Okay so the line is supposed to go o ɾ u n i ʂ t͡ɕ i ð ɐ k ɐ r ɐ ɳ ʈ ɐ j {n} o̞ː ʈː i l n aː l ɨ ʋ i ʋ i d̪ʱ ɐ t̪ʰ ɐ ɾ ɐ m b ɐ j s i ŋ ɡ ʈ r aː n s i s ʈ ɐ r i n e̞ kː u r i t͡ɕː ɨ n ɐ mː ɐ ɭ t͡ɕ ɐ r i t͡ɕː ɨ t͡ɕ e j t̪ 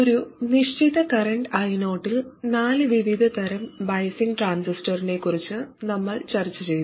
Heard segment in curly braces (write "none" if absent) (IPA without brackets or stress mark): n